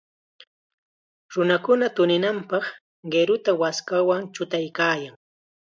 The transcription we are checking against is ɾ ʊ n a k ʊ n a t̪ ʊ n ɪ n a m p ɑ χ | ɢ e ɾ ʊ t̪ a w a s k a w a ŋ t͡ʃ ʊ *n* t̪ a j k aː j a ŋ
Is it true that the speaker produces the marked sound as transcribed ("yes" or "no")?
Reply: no